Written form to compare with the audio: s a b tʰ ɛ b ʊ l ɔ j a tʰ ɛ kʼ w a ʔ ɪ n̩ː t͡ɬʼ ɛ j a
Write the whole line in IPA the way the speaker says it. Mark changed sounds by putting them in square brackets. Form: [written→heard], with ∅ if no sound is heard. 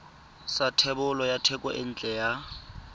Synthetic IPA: s a [b→∅] tʰ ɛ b ʊ l ɔ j a tʰ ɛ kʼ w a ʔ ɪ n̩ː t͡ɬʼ ɛ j a